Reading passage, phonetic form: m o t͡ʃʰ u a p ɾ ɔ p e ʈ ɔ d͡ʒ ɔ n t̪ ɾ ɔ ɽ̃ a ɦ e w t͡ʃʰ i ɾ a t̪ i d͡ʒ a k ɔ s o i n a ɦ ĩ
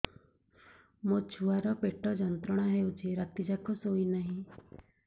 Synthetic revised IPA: m o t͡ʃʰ u a ɾ ɔ p e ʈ ɔ d͡ʒ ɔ n t̪ ɾ ɔ ɽ̃ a ɦ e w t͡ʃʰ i ɾ a t̪ i d͡ʒ a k ɔ s o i n a ɦ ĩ